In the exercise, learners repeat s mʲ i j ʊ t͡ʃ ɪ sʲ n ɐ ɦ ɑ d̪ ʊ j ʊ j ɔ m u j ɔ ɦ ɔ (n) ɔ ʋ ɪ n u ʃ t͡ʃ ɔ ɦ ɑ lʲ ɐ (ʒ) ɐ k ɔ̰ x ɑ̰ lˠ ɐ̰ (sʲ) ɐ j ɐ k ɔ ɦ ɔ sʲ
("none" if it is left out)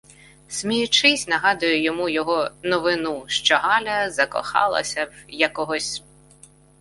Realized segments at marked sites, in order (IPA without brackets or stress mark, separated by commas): n, z, sʲ